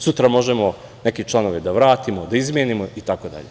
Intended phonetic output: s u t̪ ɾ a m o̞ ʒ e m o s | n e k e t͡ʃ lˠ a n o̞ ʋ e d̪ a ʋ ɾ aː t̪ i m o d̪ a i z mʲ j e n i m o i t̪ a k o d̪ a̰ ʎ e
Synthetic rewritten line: s u t̪ ɾ a m o̞ ʒ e m o | n e k e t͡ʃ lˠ a n o̞ ʋ e d̪ a ʋ ɾ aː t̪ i m o d̪ a i z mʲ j e n i m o i t̪ a k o d̪ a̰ ʎ e